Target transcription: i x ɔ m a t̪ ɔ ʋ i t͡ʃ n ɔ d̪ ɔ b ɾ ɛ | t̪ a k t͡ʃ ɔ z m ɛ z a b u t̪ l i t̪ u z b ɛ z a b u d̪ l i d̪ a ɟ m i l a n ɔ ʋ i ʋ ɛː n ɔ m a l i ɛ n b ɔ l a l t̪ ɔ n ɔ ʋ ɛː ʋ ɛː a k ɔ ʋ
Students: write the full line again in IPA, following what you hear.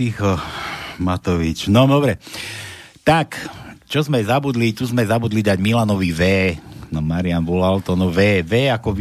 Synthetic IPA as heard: i x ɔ m a t̪ ɔ ʋ i t͡ʃ n ɔ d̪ ɔ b ɾ ɛ | t̪ a k t͡ʃ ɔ z m ɛ z a b u d̪ l i t̪ u z m ɛ z a b u d̪ l i d̪ a ɟ m i l a n ɔ ʋ i ʋ ɛː n ɔ m a ɾ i a n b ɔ l a l t̪ ɔ n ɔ ʋ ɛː ʋ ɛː a k ɔ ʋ